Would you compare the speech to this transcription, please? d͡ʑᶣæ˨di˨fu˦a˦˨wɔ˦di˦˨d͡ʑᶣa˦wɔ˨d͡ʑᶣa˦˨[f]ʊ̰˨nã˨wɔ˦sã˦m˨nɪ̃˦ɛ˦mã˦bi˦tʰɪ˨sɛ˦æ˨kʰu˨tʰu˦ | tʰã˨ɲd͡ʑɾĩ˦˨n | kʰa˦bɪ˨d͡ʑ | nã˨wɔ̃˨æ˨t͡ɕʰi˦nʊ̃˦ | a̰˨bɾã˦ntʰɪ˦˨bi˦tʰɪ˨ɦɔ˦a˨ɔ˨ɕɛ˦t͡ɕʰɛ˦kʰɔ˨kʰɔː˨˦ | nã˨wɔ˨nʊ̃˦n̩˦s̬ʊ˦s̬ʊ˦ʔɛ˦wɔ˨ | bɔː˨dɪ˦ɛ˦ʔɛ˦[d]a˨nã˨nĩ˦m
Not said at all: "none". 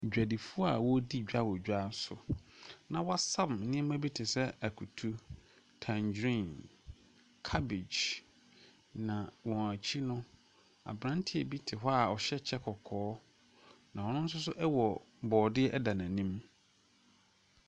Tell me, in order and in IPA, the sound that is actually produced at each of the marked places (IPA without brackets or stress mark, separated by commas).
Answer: s, d